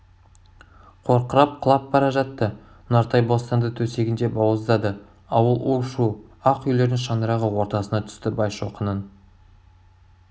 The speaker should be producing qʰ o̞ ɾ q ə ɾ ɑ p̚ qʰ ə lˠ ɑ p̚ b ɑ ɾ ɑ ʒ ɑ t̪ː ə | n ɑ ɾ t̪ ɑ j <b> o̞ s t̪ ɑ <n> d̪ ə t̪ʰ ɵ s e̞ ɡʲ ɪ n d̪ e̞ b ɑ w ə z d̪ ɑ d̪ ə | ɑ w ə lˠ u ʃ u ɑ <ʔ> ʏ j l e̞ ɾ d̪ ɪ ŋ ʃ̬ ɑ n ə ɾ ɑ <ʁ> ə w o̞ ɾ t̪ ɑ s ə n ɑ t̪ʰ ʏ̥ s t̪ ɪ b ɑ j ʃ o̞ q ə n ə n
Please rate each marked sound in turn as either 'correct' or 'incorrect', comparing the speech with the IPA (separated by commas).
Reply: correct, correct, incorrect, correct